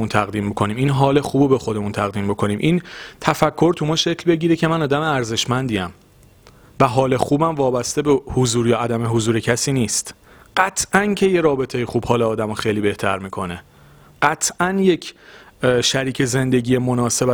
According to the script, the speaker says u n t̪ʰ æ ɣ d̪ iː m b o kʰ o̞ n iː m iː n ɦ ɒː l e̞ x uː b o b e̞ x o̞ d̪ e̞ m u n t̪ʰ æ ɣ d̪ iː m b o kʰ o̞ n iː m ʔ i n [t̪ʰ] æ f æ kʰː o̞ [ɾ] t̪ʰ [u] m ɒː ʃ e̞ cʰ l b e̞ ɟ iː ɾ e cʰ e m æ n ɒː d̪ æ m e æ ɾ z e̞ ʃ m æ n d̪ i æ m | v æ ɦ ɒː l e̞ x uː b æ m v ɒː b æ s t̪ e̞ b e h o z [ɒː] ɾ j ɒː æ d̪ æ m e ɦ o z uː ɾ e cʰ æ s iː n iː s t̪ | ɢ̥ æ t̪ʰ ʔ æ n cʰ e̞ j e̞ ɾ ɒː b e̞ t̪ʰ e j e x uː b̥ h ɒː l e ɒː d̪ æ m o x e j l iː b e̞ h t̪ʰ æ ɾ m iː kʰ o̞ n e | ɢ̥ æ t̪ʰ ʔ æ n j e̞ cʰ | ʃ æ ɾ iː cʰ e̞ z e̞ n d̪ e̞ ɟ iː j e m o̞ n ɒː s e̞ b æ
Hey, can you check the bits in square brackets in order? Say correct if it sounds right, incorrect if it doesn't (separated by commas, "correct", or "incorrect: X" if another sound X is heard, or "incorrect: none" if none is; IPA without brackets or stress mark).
correct, correct, correct, incorrect: uː